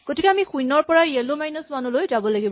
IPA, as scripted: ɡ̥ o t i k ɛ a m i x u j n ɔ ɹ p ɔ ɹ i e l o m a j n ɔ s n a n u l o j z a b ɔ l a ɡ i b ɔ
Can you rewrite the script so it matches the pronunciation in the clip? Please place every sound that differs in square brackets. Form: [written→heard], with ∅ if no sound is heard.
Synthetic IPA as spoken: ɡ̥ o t i k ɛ a m i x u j n ɔ ɹ p ɔ ɹ [i→a] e l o m a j n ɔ s [n→m] a n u l o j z a b ɔ l a ɡ i b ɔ